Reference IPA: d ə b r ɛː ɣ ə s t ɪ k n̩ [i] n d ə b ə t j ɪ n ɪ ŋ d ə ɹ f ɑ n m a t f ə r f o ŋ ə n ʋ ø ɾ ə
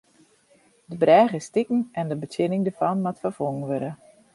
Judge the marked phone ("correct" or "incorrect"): incorrect